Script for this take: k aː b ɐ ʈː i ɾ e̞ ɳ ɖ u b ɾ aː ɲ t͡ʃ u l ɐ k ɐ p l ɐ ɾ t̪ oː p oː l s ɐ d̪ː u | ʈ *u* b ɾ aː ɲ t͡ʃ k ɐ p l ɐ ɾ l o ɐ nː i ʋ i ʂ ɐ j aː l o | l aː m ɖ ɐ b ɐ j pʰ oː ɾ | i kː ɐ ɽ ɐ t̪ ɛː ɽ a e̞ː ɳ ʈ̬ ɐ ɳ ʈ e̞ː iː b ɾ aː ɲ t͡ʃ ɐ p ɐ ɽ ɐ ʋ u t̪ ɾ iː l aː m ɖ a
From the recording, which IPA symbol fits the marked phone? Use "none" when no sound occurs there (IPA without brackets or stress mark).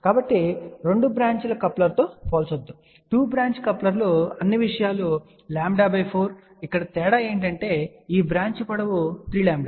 uː